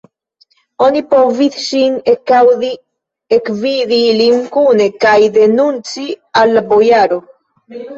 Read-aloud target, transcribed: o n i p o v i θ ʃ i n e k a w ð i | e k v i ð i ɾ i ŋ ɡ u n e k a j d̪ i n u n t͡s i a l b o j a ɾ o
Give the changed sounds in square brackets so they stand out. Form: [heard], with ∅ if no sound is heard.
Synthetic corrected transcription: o n i p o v i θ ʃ i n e k a w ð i | e k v i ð i [l] i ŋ [k] u n e k a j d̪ [e] n u n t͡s i a l b o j a ɾ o

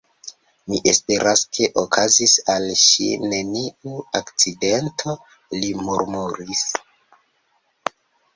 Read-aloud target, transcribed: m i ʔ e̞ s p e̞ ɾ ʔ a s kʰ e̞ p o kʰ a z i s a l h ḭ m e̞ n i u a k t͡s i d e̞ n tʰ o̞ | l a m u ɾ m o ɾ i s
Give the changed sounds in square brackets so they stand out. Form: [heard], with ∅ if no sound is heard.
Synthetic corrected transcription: m i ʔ e̞ s p e̞ ɾ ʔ a s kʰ e̞ [ʔ] o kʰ a z i s a l [ʃ] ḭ [n] e̞ n i u a k t͡s i d e̞ n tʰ o̞ | l [i] m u ɾ m [u] ɾ i s

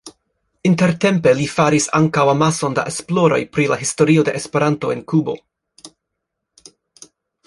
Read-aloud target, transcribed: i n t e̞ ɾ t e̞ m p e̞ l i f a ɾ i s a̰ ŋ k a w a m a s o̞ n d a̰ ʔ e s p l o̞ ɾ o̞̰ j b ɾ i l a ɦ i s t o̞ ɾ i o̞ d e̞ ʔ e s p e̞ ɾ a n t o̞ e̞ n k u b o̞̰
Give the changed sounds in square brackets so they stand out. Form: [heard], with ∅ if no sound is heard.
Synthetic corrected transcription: i n t e̞ ɾ t e̞ m p e̞ l i f a ɾ i s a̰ ŋ k a w a m a s o̞ n d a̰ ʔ e s p l o̞ ɾ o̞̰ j [p] ɾ i l a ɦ i s t o̞ ɾ i o̞ d e̞ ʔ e s p e̞ ɾ a n t o̞ e̞ n k u b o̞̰

